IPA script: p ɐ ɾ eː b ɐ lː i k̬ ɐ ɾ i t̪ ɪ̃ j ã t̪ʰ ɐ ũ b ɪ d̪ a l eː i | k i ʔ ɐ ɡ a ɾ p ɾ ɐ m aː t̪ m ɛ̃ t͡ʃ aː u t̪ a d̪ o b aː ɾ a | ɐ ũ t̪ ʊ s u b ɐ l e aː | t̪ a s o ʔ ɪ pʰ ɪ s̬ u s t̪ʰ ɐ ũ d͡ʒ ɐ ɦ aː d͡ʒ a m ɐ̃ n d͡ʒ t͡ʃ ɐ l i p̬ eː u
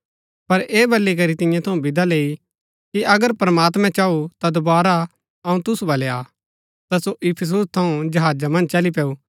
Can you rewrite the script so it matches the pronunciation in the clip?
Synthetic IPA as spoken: p ɐ ɾ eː b ɐ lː i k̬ ɐ ɾ i t̪ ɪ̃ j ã t̪ʰ ɐ ũ b ɪ d̪ a l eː i | k i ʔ ɐ ɡ ə ɾ p ɾ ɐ m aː t̪ m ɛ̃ t͡ʃ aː u t̪ a d̪ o b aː ɾ a | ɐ ũ t̪ ʊ s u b ɐ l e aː | t̪ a s o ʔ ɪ pʰ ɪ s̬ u s t̪ʰ ɐ ũ d͡ʒ ɐ ɦ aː d͡ʒ a m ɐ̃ n d͡ʒ t͡ʃ ɐ l i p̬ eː u